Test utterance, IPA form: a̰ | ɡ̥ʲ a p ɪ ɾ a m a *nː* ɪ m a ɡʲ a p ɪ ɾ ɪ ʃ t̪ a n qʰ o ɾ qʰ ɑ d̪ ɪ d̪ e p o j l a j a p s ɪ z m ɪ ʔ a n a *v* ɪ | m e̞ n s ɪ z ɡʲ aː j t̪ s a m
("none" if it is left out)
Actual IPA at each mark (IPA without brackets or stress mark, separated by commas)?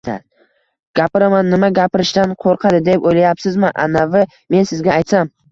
nː, v